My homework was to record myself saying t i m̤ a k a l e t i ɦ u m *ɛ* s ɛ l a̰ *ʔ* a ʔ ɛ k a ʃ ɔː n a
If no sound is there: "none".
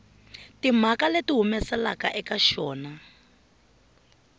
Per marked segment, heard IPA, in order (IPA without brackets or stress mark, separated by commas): ɛ, k